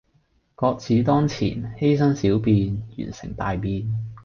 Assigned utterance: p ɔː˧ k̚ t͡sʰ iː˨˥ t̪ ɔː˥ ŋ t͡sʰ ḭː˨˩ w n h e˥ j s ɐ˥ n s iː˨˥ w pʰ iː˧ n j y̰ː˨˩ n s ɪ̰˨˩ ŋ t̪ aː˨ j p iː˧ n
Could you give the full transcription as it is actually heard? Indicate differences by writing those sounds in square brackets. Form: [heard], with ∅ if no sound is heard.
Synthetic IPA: [k] ɔː˧ k̚ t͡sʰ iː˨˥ t̪ ɔː˥ ŋ t͡sʰ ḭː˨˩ [∅] n h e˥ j s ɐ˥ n s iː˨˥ w [p] iː˧ n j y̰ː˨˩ n s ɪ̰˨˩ ŋ t̪ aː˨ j p iː˧ n